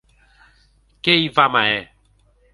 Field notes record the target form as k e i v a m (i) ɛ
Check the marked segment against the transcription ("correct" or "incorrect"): incorrect